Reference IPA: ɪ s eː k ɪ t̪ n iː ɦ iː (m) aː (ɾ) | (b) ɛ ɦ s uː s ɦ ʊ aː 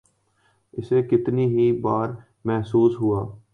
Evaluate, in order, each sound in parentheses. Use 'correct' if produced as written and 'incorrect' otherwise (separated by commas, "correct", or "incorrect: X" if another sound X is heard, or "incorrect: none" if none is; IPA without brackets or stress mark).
incorrect: b, correct, incorrect: m